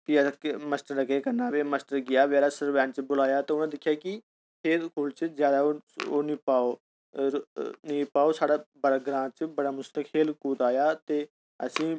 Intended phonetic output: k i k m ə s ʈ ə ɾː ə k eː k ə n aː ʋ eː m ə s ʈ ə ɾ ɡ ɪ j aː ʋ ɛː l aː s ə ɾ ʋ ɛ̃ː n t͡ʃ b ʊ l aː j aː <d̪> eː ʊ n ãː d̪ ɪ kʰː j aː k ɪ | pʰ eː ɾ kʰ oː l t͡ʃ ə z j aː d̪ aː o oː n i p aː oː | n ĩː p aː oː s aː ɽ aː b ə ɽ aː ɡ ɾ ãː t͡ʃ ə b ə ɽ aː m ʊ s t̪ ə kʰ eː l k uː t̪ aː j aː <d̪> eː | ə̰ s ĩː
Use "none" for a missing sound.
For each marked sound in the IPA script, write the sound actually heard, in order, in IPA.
t̪, t̪

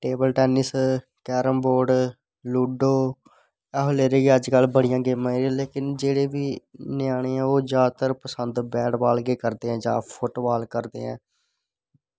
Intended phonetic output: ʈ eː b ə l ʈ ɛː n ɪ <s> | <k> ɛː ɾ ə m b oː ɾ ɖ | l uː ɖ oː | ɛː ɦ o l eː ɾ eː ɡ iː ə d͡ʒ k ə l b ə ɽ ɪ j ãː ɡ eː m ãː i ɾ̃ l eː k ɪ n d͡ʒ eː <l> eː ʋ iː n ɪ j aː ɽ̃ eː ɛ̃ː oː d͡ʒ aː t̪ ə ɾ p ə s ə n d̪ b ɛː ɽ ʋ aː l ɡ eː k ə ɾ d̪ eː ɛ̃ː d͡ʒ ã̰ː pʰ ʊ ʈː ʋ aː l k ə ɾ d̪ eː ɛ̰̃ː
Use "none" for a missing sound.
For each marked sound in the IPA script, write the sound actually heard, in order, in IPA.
s, k, ɽ

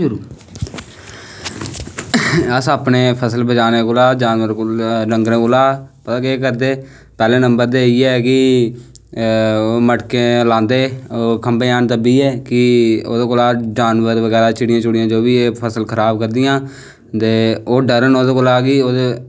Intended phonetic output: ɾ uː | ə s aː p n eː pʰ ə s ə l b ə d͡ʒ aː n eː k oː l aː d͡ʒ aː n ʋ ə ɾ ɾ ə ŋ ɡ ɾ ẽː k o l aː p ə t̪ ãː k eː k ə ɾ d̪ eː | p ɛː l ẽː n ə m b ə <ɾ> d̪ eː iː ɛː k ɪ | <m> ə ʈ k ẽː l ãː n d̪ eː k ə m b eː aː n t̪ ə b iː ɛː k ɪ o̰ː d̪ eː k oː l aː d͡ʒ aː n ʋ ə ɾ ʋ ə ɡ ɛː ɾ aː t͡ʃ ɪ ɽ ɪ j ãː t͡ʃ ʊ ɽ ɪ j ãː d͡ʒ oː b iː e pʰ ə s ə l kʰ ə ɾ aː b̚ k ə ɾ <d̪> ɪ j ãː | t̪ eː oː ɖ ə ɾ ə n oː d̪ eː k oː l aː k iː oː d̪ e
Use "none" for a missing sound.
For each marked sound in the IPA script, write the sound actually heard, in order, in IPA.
ɾ, m, d̪

